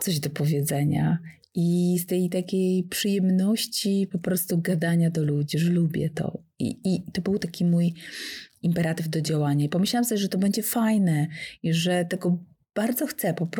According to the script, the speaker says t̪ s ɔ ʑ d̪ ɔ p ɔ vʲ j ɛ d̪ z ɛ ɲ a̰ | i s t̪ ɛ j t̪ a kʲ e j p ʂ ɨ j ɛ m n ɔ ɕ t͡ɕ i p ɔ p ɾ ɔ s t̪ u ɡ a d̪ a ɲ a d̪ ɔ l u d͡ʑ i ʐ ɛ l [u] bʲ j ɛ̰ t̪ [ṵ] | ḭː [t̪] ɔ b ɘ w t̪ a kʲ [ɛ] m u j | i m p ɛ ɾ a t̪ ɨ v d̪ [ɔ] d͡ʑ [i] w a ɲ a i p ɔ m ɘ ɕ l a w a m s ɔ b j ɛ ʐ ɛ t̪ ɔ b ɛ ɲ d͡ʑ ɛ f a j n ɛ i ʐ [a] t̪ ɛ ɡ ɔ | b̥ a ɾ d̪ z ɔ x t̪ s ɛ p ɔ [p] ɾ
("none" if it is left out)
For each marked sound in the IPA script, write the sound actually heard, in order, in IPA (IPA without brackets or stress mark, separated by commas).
u, ɔ̰, t̪, i, ɔ, a, ɛ, p